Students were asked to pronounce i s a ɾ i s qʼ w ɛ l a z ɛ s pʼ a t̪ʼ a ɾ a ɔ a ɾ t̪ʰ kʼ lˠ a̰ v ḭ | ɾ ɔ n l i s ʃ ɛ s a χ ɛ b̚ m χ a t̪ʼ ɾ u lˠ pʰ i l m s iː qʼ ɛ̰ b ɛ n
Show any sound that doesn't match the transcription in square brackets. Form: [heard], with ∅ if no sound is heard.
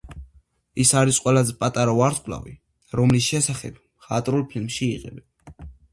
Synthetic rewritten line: i s a ɾ i s qʼ w ɛ l a z ɛ [∅] pʼ a t̪ʼ a ɾ a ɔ a ɾ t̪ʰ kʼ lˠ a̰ v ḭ | ɾ ɔ [m] l i s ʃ ɛ s a χ ɛ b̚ m χ a t̪ʼ ɾ u lˠ pʰ i l m [ʃ] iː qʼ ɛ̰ b ɛ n